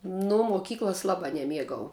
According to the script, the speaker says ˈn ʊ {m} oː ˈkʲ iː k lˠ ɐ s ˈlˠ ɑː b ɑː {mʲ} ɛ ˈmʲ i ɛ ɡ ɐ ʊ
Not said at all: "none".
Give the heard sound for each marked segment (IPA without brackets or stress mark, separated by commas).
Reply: m, nʲ